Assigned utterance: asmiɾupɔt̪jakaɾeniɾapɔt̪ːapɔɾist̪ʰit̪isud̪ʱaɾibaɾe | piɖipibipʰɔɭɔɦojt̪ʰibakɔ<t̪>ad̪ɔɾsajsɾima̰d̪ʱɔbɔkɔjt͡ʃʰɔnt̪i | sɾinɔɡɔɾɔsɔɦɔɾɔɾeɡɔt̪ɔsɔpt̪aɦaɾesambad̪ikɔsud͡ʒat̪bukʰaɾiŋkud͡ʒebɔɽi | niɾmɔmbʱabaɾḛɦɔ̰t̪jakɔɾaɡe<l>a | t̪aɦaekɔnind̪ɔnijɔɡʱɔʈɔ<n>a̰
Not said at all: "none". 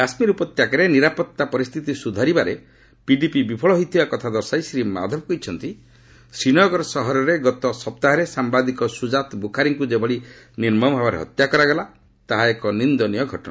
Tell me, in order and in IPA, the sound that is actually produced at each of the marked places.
t̪ʰ, l, n

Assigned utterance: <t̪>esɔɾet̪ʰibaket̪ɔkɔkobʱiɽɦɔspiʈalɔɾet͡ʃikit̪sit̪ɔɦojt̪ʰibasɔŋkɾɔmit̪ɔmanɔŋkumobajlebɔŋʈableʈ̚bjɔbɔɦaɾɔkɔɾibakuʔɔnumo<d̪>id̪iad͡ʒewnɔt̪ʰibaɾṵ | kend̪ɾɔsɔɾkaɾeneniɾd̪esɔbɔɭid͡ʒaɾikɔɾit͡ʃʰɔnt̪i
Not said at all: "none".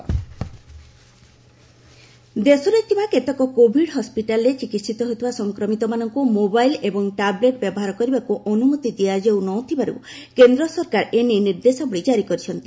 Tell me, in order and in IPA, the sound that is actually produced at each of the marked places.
d̪, t̪

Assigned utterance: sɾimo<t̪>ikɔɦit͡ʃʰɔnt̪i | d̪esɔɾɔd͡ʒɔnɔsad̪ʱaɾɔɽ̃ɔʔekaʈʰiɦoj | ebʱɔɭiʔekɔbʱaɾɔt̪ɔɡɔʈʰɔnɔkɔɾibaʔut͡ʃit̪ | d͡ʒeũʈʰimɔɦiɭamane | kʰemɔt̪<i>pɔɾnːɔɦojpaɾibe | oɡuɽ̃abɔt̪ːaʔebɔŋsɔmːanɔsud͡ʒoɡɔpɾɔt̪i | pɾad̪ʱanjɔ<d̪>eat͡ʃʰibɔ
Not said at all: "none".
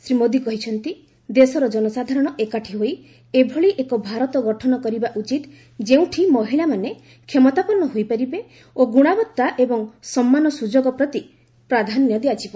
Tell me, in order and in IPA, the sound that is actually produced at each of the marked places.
d̪, a, d̪

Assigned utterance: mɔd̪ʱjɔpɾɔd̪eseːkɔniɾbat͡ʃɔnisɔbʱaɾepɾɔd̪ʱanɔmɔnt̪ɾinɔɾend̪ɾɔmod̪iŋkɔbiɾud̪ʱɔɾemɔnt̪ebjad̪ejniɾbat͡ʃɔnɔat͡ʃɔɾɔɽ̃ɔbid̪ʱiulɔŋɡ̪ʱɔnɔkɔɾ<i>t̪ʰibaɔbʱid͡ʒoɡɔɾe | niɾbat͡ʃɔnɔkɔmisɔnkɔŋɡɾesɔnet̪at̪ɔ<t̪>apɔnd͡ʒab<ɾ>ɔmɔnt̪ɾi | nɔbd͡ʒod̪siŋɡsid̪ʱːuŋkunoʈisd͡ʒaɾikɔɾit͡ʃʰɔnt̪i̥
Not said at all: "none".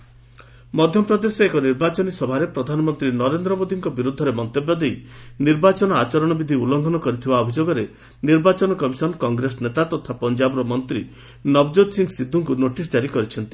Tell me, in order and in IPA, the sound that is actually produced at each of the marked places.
i, t̪ʰ, ɾ

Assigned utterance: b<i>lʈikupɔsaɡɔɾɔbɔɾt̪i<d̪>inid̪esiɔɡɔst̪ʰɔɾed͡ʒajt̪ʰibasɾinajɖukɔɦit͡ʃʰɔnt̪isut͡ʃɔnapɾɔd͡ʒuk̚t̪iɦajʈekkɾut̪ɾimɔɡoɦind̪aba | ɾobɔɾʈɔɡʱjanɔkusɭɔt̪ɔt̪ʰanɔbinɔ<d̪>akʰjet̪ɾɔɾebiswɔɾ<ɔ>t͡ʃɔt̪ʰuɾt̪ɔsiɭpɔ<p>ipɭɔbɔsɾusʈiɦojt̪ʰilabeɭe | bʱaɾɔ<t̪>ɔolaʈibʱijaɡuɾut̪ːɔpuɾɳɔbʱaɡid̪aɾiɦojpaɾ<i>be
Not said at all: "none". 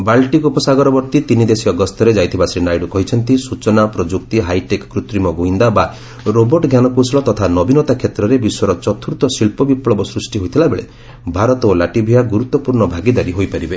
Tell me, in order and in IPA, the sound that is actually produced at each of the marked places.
a, t̪, t̪, ɔ, b, t̪, i

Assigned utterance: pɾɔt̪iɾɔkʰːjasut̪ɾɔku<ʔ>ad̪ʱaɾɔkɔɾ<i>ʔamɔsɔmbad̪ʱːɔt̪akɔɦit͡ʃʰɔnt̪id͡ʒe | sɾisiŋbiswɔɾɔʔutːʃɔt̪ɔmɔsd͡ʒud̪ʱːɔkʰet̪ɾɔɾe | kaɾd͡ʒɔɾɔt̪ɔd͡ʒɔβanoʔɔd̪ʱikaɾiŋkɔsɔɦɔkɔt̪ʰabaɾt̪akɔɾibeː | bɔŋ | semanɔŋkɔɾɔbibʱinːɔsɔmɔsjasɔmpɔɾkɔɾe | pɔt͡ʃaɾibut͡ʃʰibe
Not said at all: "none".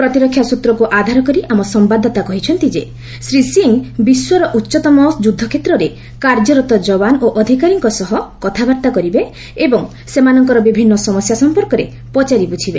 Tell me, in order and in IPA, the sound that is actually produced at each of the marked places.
ʔ, i

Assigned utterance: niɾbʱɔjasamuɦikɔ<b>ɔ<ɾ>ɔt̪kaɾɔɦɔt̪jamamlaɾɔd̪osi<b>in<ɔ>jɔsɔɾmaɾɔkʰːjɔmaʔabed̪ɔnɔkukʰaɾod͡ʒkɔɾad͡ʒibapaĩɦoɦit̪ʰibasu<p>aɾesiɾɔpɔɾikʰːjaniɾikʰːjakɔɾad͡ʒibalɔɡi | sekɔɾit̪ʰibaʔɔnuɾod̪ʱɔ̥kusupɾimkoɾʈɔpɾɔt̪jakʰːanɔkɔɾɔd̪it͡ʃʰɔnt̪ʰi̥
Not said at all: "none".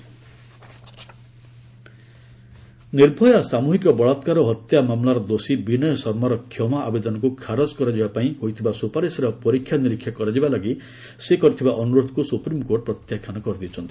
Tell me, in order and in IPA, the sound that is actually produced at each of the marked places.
b, ɭ, b, ɔ, p

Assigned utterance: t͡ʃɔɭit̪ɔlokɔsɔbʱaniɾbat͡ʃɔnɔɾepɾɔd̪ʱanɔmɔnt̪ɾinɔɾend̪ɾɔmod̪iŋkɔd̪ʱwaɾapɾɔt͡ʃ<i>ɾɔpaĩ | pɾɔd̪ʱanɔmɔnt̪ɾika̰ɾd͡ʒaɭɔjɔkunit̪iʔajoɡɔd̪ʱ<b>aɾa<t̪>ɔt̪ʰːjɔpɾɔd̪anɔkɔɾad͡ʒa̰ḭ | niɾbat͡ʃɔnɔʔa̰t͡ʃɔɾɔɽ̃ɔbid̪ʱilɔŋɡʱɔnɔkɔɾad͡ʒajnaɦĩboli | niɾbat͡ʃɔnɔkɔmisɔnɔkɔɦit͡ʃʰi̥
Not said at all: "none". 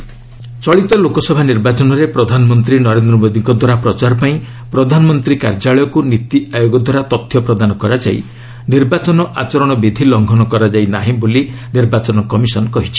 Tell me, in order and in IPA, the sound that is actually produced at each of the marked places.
a, w, t̪

